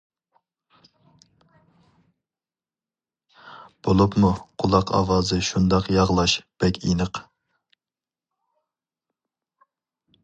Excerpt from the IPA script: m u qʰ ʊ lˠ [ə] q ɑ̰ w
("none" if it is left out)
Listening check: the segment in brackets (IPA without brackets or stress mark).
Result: ɑ